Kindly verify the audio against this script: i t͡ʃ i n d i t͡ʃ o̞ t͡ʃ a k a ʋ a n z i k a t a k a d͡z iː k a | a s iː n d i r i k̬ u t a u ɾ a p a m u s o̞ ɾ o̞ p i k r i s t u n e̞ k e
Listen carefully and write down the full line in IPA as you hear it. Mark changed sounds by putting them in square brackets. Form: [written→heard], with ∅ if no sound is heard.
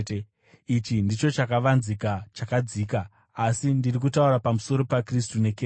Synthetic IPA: i t͡ʃ i n d i t͡ʃ o̞ t͡ʃ a k a ʋ a n z i k a [t→t͡ʃ] a k a d͡z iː k a | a s [iː→i] n d i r i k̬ u t a u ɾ a p a m u s o̞ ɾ o̞ p [i→a] k r i s t u n e̞ k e